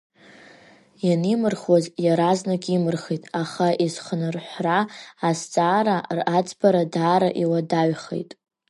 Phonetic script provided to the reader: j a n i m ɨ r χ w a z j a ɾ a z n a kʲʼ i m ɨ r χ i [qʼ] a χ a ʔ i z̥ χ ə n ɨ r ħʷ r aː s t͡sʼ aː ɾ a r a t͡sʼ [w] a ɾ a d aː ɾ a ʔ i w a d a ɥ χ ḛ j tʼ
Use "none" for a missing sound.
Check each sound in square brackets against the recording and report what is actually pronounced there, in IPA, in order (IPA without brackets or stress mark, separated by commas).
tʼ, b